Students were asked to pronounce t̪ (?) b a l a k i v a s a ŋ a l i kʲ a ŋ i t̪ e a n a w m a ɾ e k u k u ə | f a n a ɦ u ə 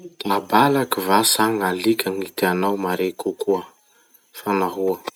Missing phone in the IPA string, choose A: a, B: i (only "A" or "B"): A